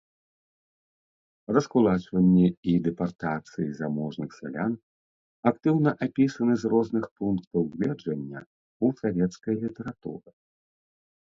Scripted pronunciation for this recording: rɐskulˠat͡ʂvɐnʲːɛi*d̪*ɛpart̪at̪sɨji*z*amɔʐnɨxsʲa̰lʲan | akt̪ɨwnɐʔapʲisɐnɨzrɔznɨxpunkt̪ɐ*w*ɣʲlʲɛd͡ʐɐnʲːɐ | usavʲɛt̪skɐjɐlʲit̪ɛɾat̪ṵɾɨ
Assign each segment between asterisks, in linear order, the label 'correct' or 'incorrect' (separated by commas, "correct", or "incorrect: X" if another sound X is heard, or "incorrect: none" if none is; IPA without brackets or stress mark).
correct, correct, correct